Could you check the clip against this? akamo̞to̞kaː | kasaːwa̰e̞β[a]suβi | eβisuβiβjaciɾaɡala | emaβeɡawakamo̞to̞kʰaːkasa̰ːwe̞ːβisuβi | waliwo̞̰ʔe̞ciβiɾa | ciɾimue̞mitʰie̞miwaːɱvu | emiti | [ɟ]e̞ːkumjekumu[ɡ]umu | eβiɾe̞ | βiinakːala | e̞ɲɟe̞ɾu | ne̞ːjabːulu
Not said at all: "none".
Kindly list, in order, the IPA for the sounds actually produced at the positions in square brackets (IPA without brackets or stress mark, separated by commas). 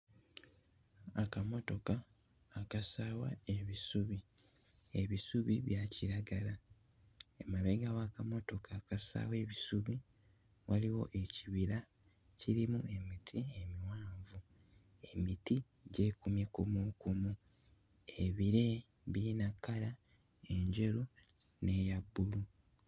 i, ɟ, k